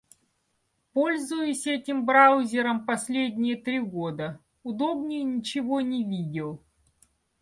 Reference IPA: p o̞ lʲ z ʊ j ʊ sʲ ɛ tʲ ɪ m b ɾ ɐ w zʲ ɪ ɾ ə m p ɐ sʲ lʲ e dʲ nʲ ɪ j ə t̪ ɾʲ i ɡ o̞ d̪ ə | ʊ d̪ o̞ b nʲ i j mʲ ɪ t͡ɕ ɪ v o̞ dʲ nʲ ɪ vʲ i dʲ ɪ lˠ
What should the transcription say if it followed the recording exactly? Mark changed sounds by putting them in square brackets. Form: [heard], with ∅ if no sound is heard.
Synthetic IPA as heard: p o̞ lʲ z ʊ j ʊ sʲ ɛ tʲ ɪ m b ɾ [a] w zʲ ɪ ɾ ə m p ɐ sʲ lʲ e dʲ nʲ ɪ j ə t̪ ɾʲ i ɡ o̞ d̪ ə | ʊ d̪ o̞ b nʲ [ɪ] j [nʲ] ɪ t͡ɕ ɪ v o̞ [∅] nʲ ɪ vʲ i dʲ ɪ lˠ

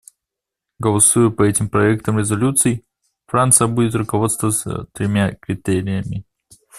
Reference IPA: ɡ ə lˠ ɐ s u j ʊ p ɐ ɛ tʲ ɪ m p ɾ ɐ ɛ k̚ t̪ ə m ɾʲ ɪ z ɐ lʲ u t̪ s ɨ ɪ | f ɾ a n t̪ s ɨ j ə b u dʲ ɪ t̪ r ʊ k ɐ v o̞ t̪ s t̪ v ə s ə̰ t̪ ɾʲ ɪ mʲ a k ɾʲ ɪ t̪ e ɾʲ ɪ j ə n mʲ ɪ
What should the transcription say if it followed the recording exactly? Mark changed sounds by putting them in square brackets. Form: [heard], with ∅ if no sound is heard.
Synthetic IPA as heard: ɡ ə lˠ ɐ s u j ʊ p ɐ ɛ tʲ ɪ m p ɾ ɐ ɛ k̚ t̪ ə m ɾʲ ɪ z ɐ lʲ u t̪ s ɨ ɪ | f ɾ a n t̪ s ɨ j ə b u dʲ ɪ t̪ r ʊ k ɐ v o̞ t̪ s t̪ v ə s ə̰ t̪ ɾʲ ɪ mʲ a k ɾʲ ɪ t̪ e ɾʲ ɪ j ə [∅] mʲ ɪ

